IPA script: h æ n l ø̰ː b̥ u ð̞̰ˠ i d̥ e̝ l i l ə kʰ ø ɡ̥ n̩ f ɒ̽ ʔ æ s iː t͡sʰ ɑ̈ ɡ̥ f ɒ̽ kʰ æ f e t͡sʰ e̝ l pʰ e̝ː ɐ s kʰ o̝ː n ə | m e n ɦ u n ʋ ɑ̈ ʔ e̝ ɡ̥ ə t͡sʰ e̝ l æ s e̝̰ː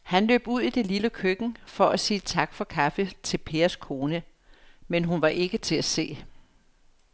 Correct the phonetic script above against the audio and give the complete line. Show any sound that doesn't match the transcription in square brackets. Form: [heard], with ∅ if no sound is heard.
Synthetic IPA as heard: h æ n l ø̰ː b̥ u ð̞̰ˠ i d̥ e̝ l i l ə kʰ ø ɡ̥ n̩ f ɒ̽ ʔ æ s iː t͡sʰ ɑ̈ ɡ̥ f ɒ̽ kʰ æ f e t͡sʰ e̝ l pʰ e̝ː ɐ s kʰ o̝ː n ə | m e n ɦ u n ʋ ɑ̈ ʔ e̝ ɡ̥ ə t͡sʰ e̝ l æ s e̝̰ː